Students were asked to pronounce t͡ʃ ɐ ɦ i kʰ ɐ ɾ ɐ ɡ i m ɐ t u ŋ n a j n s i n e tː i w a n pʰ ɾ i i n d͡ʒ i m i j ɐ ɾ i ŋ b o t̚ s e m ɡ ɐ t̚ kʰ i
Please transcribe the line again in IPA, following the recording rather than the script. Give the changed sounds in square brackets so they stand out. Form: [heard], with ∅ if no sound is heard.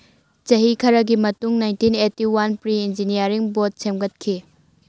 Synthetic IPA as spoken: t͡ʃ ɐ ɦ i kʰ ɐ ɾ ɐ ɡ i m ɐ t u ŋ n a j n [t] i n e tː i w a n [p] ɾ i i n d͡ʒ i [n] i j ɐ ɾ i ŋ b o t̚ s e m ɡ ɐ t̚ kʰ i